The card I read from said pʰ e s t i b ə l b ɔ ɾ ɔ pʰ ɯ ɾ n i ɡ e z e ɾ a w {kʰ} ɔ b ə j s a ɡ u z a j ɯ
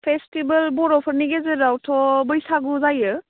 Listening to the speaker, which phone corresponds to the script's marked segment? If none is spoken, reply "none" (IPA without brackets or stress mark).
tʰ